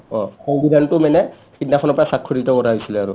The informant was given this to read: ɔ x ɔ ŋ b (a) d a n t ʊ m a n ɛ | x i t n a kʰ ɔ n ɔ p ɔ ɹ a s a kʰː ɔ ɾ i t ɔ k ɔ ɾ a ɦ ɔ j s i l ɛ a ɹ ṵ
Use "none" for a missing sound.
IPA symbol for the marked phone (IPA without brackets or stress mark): i